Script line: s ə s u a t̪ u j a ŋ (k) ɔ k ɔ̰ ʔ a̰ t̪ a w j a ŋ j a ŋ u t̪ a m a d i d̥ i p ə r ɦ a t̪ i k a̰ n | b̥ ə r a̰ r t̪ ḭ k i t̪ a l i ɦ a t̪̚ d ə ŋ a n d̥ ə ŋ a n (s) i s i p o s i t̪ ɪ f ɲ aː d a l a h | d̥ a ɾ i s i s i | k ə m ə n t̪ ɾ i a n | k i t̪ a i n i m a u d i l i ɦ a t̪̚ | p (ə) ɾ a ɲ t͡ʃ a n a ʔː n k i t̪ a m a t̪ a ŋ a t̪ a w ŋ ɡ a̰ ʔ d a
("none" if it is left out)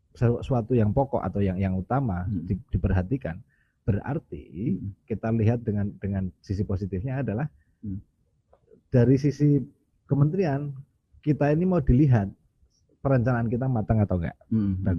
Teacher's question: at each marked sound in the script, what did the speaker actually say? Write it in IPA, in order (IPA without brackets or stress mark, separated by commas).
p, s, ə